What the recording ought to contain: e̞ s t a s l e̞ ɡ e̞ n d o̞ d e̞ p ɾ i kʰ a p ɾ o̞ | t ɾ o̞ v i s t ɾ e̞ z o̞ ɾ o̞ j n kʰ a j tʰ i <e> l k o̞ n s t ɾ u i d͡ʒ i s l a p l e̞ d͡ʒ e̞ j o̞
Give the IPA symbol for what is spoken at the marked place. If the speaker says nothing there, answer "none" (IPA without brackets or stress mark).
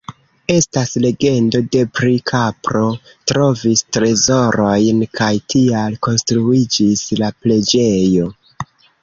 a